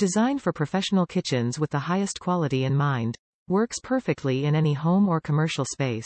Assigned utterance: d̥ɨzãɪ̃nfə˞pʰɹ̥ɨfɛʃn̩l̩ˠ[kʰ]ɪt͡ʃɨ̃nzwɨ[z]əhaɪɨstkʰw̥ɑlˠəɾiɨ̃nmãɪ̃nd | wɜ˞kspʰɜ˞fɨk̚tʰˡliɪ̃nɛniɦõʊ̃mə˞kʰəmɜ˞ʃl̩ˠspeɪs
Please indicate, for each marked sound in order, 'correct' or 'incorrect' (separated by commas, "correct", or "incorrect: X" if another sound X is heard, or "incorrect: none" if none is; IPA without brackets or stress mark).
correct, incorrect: ð